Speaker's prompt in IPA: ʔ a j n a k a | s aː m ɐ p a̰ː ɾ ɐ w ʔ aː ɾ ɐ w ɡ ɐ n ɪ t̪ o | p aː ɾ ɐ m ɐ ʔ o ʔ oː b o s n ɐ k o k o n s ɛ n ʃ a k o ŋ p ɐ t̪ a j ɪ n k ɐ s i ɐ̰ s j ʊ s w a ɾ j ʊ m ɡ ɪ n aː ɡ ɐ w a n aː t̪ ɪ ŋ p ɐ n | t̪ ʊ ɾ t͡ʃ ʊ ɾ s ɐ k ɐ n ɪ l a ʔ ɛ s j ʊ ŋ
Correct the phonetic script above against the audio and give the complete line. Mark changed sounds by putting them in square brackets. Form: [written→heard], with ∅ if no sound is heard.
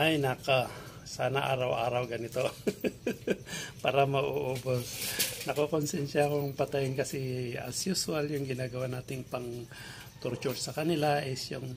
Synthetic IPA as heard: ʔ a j n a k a | s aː [m→n] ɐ [p→ʔ] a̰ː ɾ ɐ w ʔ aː ɾ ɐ w ɡ ɐ n ɪ t̪ o | p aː ɾ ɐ m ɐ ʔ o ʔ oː b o s n ɐ k o k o n s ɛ n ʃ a k o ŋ p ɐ t̪ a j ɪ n k ɐ s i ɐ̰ s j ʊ s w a [ɾ→l] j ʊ [m→ŋ] ɡ ɪ n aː ɡ ɐ w a n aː t̪ ɪ ŋ p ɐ [n→ŋ] | t̪ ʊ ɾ t͡ʃ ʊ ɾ s ɐ k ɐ n ɪ l a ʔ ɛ s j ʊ ŋ